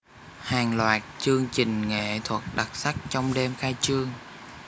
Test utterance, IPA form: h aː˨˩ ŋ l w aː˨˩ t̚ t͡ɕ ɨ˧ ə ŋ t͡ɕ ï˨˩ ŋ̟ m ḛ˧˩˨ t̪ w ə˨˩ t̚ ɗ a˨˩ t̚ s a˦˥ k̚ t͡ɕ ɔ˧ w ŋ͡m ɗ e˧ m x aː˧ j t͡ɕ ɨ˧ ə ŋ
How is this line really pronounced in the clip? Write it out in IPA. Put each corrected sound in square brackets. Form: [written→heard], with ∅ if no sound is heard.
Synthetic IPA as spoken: h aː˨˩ ŋ l w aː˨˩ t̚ t͡ɕ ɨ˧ ə ŋ t͡ɕ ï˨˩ ŋ̟ [m→ŋ] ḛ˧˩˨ [t̪→t̪ʰ] w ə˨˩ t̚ ɗ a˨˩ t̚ s a˦˥ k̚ t͡ɕ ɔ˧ w ŋ͡m ɗ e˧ m x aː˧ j t͡ɕ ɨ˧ ə ŋ